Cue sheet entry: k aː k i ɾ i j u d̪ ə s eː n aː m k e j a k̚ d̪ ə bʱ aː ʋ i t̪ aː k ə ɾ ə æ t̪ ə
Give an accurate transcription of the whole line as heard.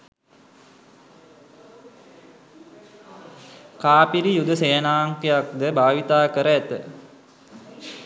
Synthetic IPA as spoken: k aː p i ɾ i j u d̪ ə s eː n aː ŋ k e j a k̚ d̪ ə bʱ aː ʋ i t̪ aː k ə ɾ ə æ t̪ ə